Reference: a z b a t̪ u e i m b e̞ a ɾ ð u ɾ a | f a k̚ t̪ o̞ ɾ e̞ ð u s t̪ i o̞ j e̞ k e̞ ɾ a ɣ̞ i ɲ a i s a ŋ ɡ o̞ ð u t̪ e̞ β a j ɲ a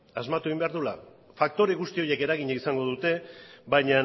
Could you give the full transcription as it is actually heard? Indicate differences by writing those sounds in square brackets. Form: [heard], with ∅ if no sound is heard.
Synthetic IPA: a z [m] a t̪ u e i m b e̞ a ɾ ð u [l] a | f a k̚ t̪ o̞ ɾ e̞ [ɣ] u s t̪ i o̞ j e̞ k e̞ ɾ a ɣ̞ i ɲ a i s a ŋ ɡ o̞ ð u t̪ e̞ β a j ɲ a